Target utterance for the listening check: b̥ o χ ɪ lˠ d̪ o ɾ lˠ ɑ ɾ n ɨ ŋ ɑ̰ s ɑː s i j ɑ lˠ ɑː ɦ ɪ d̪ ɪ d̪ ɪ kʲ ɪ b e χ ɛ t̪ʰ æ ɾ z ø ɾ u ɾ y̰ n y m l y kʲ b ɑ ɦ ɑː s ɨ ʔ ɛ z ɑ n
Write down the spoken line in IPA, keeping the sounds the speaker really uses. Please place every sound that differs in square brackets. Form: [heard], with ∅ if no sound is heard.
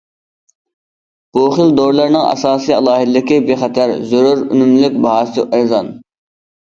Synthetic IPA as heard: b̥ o χ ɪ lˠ d̪ o ɾ lˠ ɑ ɾ n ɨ ŋ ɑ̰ s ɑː s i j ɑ lˠ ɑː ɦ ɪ d̪ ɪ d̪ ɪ kʲ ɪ b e χ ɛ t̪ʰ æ ɾ z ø ɾ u ɾ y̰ n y m l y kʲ b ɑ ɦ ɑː s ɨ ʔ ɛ z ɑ n